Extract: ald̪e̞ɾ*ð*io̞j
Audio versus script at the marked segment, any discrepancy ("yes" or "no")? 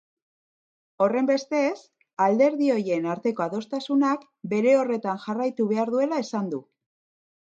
no